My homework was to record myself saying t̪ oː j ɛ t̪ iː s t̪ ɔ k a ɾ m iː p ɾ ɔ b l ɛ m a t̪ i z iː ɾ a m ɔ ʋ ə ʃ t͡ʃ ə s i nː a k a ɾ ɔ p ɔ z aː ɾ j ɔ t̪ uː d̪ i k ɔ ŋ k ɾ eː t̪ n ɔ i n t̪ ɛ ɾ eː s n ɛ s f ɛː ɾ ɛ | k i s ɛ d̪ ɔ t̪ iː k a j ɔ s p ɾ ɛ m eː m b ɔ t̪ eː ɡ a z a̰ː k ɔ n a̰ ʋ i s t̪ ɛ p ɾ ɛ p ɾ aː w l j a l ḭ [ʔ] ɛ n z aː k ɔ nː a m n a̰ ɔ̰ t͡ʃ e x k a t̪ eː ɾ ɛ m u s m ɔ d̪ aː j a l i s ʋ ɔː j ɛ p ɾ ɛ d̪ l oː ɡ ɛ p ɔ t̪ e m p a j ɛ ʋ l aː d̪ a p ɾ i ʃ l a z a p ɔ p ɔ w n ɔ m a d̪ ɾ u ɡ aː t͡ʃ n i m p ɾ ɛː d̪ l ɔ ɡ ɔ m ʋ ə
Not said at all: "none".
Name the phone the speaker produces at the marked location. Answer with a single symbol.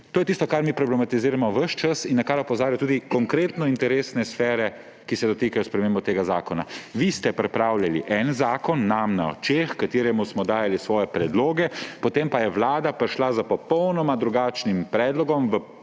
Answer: ʔ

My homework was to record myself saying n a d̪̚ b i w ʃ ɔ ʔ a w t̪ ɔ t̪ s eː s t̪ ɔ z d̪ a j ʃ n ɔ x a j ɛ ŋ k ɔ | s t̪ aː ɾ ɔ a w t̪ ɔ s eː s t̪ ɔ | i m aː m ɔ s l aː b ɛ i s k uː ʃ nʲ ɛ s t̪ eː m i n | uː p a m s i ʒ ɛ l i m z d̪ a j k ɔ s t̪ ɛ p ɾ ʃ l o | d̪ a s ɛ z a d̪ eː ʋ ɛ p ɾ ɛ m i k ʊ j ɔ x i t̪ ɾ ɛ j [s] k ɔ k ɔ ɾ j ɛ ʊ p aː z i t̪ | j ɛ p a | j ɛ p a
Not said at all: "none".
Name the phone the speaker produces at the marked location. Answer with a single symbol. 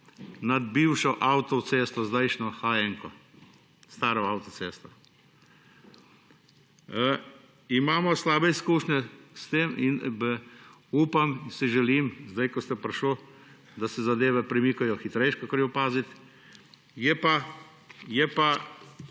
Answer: ʃ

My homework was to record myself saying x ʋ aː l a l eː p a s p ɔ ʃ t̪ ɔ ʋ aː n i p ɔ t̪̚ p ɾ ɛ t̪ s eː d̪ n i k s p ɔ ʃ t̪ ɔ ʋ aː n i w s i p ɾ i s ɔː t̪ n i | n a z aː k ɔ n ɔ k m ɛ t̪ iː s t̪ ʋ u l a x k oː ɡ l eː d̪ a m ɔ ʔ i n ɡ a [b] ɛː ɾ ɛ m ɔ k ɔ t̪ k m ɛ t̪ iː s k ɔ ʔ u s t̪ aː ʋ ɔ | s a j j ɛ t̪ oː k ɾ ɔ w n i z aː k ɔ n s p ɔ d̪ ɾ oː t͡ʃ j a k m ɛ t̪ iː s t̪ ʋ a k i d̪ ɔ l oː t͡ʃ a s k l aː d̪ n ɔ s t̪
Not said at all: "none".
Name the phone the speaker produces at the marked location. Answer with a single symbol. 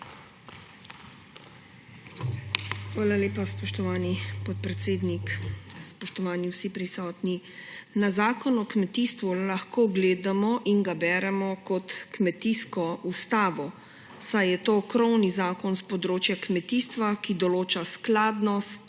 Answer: b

